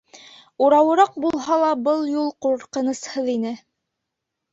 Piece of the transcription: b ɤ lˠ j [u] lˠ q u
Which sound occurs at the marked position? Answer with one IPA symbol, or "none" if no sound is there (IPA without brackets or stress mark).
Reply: u